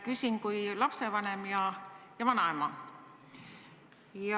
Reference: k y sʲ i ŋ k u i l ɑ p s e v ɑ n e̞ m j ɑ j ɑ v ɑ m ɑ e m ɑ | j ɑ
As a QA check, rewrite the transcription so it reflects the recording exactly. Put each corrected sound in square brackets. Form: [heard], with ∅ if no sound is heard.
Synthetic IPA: k y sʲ i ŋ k u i l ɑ p s e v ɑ n e̞ m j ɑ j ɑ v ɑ [n] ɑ e m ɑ | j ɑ